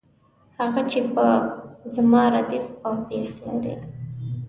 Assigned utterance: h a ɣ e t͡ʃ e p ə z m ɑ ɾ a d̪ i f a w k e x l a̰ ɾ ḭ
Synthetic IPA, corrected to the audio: h a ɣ a t͡ʃ e p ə z m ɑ ɾ a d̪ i f a w p e x l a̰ ɾ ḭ